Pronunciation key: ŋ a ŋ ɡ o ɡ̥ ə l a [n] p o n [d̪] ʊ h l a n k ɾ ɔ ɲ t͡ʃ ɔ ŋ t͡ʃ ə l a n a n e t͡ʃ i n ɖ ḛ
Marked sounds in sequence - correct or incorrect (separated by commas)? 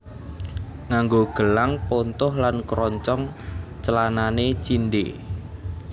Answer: incorrect, incorrect